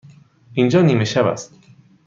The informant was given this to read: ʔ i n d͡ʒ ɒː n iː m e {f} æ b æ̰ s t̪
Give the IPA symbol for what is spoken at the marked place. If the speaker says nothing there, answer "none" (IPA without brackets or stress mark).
ʃ